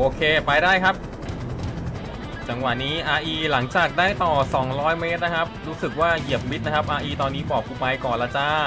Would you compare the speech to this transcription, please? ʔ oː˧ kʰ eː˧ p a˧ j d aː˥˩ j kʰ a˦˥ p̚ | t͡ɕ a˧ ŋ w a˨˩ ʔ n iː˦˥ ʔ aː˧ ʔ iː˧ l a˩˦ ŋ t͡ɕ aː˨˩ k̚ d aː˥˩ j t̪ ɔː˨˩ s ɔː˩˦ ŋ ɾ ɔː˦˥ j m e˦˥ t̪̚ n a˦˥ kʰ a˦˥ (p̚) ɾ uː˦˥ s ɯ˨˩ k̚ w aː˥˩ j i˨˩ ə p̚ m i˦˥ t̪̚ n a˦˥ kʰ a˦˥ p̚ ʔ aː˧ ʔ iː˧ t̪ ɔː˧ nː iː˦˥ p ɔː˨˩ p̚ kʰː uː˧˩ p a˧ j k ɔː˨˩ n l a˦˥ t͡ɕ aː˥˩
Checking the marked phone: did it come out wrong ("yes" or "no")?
no